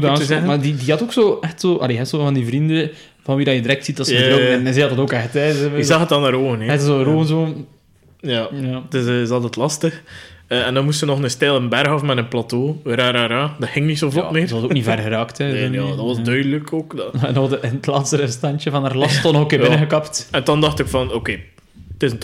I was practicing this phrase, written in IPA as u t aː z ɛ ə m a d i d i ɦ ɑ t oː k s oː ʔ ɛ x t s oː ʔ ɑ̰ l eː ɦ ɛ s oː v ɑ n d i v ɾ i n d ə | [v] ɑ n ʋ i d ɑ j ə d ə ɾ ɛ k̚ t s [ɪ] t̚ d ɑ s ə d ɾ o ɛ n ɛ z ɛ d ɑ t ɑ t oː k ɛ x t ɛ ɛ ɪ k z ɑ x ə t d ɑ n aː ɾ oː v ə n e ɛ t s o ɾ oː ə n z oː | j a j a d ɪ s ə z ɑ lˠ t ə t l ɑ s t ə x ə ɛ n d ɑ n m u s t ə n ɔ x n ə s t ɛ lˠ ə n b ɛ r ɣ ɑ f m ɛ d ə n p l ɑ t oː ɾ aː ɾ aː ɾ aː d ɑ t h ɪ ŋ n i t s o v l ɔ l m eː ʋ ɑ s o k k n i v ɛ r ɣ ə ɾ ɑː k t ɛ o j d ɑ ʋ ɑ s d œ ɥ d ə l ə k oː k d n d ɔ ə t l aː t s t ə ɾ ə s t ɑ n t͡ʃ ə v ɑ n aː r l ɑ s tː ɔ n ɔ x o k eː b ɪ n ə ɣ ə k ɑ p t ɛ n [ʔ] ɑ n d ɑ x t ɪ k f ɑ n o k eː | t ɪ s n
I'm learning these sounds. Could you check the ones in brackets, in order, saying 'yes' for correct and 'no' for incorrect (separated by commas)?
yes, no, no